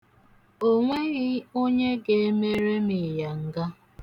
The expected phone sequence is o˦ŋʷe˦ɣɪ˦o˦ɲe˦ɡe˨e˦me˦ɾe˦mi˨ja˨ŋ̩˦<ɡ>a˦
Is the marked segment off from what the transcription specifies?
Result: no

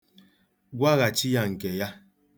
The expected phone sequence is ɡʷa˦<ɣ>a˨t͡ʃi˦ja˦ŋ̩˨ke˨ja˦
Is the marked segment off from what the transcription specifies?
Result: no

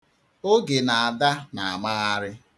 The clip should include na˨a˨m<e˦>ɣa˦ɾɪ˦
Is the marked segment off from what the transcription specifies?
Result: yes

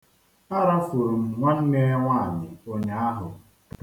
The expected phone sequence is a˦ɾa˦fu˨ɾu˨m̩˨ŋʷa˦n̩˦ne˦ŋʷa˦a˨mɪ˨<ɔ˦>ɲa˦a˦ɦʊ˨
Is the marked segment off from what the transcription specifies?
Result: yes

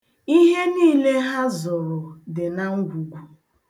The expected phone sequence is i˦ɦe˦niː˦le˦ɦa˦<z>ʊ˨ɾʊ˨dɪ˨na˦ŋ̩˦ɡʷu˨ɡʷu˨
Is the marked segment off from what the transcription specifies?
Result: no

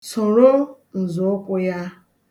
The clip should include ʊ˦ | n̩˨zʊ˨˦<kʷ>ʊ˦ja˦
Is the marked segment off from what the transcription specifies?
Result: no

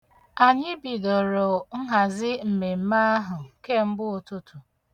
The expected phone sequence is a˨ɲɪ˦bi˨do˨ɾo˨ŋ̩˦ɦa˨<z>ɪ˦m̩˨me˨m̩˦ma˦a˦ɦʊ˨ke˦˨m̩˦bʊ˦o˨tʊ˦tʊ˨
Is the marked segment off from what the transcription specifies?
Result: no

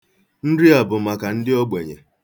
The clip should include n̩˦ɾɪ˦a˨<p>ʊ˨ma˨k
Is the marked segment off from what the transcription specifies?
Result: yes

